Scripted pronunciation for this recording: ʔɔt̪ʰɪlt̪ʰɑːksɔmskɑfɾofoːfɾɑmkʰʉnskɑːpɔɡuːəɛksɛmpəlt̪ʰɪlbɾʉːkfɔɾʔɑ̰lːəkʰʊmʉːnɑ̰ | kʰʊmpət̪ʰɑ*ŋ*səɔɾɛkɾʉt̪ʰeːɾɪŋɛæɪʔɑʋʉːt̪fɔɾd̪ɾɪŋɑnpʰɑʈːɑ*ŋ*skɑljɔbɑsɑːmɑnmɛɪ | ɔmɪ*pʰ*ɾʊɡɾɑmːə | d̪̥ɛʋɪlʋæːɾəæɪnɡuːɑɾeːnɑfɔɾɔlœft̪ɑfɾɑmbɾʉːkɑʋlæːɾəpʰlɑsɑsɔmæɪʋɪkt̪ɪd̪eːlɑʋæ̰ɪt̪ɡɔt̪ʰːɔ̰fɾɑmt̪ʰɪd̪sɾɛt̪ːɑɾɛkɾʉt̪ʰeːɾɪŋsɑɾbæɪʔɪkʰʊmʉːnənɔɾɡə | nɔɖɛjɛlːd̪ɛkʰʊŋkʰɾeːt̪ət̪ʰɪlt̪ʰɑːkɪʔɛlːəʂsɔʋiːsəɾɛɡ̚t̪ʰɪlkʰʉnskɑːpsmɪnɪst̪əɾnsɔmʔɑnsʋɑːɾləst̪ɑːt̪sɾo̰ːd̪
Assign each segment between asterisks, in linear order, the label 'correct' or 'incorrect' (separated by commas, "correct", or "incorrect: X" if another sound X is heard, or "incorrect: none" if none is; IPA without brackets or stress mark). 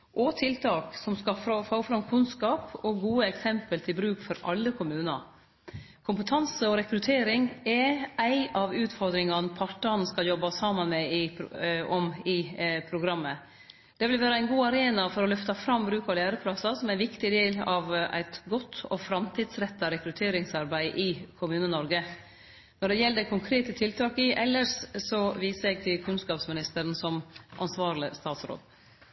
incorrect: n, incorrect: n, correct